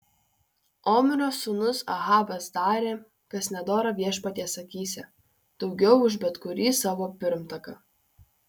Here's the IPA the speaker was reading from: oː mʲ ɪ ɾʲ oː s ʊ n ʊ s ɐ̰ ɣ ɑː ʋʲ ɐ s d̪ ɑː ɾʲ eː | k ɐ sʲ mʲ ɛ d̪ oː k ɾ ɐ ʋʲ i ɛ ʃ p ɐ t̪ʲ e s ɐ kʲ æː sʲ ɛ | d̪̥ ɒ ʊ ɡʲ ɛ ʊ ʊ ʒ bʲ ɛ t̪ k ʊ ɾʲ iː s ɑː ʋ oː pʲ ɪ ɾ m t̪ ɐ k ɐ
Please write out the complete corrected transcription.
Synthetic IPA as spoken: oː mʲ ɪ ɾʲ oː s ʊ n ʊ s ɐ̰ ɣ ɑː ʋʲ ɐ s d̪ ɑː ɾʲ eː | k ɐ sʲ nʲ ɛ d̪ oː ɾ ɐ ʋʲ i ɛ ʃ p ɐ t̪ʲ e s ɐ kʲ iː sʲ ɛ | d̪̥ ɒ ʊ ɡʲ ɛ ʊ ʊ ʒ bʲ ɛ t̪ k ʊ ɾʲ iː s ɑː ʋ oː pʲ ɪ ɾ m t̪ ɐ k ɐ